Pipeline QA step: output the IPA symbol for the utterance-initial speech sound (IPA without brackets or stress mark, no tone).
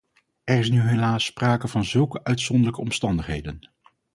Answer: ɛ